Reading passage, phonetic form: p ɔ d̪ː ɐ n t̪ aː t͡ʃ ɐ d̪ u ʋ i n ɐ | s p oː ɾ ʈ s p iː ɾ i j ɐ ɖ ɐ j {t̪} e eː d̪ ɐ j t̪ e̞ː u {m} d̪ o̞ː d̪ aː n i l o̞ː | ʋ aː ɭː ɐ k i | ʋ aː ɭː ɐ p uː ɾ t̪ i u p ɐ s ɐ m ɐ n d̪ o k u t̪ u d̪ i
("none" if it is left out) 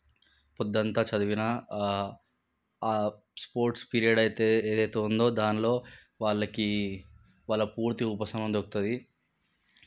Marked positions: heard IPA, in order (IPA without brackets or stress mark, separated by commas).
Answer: t̪, n